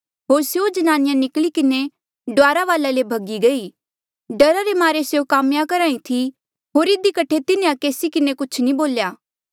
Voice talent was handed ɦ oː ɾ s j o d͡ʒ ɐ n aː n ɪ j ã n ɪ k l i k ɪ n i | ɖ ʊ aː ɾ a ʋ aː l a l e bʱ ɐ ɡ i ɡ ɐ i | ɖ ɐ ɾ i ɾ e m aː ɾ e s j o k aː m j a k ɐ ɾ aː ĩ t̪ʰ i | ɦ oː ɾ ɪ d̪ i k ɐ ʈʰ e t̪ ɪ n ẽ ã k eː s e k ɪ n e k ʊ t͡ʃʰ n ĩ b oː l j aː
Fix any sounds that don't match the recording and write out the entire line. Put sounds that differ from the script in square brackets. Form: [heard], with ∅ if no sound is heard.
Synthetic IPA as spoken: ɦ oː ɾ s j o d͡ʒ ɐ n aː n ɪ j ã n ɪ k l i k ɪ n [e] | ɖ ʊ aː ɾ a ʋ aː l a l e bʱ ɐ ɡ i ɡ ɐ i | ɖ ɐ ɾ [a] ɾ e m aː ɾ e s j o k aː m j a k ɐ ɾ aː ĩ t̪ʰ i | ɦ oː ɾ ɪ d̪ i k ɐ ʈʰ e t̪ ɪ n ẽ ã k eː s [i] k ɪ n e k ʊ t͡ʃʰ n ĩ b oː l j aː